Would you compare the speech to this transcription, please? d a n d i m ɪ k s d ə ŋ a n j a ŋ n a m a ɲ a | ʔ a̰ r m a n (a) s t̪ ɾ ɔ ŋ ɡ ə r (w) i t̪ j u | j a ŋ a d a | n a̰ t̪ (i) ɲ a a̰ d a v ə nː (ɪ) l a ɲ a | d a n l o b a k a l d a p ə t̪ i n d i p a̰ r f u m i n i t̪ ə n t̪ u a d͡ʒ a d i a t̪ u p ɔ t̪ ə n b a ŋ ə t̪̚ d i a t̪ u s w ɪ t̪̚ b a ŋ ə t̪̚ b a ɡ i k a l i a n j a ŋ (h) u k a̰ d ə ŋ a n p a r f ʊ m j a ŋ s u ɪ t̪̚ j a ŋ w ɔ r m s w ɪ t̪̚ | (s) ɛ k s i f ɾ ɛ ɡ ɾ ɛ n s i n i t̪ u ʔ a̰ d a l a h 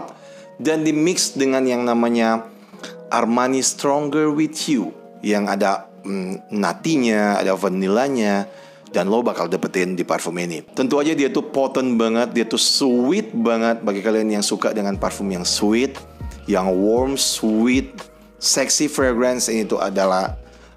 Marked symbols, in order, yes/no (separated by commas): no, yes, yes, no, no, yes